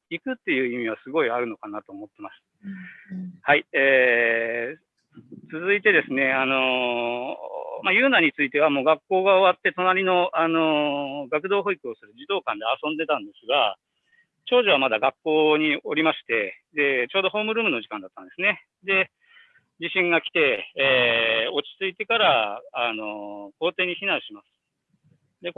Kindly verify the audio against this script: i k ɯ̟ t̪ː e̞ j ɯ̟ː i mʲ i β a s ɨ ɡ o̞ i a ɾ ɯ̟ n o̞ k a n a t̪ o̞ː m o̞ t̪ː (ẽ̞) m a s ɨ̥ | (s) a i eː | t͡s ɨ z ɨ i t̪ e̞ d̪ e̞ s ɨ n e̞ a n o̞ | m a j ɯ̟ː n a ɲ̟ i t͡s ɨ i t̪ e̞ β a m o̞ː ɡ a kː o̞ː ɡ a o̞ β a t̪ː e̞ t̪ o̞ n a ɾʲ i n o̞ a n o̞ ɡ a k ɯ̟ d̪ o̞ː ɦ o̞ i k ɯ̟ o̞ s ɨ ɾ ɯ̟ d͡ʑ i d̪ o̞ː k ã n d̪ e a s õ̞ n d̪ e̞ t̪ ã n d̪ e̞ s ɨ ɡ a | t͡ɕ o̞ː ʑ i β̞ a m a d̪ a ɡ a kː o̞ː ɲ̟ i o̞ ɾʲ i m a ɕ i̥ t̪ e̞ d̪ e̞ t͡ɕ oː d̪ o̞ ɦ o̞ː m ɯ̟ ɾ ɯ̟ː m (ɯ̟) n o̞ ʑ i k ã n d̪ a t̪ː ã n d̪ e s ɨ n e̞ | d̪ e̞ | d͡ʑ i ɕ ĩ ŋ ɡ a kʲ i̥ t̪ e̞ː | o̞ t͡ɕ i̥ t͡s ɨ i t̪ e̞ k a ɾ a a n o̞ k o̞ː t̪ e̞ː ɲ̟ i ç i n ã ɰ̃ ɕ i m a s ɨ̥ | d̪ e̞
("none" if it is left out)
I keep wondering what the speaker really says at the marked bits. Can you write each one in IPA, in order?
e̞, h, ɯ̟

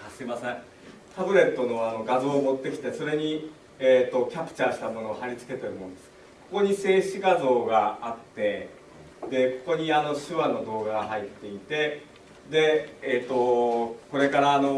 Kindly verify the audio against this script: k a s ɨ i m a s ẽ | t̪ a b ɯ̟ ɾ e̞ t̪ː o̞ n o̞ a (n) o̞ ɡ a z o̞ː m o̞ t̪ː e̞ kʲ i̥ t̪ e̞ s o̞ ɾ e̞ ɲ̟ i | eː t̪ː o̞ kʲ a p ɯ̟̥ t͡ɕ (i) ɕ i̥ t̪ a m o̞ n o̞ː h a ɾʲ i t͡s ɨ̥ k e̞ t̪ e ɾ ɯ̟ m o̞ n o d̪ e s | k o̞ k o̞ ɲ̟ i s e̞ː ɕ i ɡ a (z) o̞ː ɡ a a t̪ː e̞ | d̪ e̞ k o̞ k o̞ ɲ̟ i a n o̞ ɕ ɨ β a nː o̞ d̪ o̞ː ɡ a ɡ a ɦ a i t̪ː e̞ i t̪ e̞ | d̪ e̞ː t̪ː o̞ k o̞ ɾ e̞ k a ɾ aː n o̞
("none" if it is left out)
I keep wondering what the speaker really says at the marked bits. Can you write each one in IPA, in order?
n, a, z

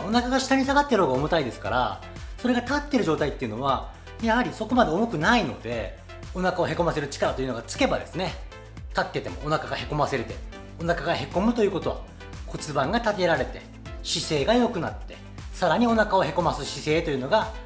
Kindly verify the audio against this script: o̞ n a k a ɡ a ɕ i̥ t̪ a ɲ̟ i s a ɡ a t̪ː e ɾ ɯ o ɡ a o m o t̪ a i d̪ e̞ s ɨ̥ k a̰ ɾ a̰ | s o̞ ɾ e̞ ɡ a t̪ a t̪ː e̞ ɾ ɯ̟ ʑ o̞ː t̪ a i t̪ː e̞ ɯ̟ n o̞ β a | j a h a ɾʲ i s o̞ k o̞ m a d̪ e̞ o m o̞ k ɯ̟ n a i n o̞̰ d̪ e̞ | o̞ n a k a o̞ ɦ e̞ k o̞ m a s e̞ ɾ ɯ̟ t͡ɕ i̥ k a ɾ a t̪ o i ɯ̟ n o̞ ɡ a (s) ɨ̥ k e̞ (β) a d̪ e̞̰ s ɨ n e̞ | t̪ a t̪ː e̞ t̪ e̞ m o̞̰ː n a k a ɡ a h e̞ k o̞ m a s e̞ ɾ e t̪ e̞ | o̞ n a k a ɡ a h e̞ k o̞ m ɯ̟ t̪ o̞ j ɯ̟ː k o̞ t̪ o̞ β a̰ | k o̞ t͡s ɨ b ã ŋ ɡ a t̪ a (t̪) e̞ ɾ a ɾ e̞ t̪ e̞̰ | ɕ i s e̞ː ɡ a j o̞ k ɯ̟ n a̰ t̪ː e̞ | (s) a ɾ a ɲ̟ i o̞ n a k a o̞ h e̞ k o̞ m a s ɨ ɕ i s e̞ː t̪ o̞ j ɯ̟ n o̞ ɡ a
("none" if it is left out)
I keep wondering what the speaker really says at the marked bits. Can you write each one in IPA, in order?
t͡s, b, t̪, s

